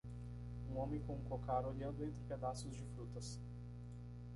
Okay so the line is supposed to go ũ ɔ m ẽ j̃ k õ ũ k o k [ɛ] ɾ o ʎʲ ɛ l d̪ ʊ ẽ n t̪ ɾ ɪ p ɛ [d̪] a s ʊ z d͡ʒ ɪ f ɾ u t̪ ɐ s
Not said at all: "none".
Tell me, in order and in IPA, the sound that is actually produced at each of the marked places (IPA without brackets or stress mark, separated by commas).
a, d̪